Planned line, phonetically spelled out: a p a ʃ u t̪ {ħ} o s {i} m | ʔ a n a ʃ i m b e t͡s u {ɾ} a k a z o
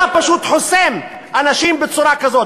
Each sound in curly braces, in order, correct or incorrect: correct, incorrect: e, correct

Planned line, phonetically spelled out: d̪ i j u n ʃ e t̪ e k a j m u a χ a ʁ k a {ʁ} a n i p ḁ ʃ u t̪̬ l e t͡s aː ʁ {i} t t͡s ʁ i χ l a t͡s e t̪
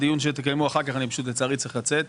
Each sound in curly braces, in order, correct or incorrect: incorrect: χ, correct

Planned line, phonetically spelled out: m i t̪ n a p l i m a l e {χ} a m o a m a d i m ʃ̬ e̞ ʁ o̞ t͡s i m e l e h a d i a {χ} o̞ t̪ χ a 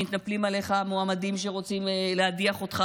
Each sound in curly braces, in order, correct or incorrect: correct, correct

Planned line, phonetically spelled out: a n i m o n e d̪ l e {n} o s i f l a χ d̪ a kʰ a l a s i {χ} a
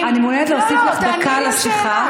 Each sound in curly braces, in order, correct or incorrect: incorrect: none, correct

